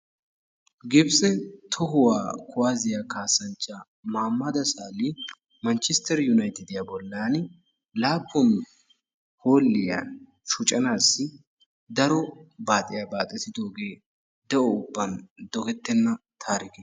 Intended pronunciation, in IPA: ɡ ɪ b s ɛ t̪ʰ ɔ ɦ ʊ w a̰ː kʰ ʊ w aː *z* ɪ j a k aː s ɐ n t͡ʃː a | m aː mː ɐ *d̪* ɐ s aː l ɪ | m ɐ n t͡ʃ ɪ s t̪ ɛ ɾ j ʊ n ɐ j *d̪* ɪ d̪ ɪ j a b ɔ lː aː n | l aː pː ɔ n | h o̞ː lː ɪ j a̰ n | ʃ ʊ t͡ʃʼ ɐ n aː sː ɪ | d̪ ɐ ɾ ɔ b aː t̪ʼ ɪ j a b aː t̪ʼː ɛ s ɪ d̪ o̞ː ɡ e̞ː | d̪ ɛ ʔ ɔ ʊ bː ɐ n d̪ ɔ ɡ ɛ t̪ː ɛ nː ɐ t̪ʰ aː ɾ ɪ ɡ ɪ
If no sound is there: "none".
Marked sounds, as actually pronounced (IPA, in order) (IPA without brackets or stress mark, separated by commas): z, d̪, t̪